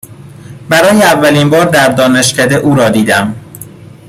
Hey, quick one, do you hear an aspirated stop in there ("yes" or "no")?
no